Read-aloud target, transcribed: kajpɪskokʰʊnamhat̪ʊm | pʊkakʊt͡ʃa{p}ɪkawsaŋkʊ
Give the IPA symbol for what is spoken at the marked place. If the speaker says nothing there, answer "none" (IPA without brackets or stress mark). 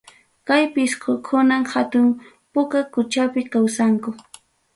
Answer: p